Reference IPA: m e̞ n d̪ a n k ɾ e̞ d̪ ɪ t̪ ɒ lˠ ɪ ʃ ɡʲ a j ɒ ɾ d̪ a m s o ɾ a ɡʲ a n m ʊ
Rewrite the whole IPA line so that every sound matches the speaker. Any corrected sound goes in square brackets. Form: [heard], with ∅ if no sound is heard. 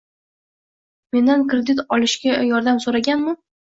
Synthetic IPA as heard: m e̞ n d̪ a n k ɾ e̞ d̪ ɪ t̪ ɒ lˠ ɪ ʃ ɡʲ a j ɒ ɾ d̪ a m s o ɾ a ɡʲ a n m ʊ